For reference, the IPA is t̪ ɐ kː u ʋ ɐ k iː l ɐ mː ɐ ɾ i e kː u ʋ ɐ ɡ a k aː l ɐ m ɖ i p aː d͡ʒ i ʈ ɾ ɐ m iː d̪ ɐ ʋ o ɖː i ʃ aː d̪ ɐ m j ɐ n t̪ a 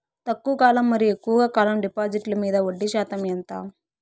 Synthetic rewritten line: t̪ ɐ kː u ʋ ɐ k aː l ɐ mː ɐ ɾ i e kː u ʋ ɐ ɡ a k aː l ɐ m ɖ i p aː d͡ʒ i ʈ l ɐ m iː d̪ ɐ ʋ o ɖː i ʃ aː t̪ ɐ m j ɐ n t̪ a